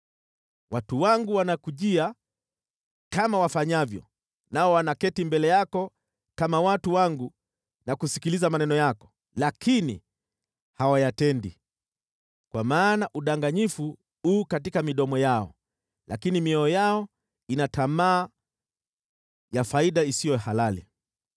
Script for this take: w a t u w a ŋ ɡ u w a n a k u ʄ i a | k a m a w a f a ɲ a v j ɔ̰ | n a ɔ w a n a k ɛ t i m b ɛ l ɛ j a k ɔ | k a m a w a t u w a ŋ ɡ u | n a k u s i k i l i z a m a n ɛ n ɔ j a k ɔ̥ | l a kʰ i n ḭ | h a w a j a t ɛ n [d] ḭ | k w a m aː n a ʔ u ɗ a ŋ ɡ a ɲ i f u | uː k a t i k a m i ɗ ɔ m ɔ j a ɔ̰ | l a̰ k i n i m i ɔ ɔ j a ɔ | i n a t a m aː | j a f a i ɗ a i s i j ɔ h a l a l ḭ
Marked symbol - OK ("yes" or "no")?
yes